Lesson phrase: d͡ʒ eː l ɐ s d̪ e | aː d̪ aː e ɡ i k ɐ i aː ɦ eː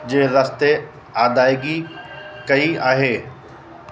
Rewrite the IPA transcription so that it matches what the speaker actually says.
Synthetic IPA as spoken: d͡ʒ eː ɾ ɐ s t̪ e | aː d̪ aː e ɡ i k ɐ i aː ɦ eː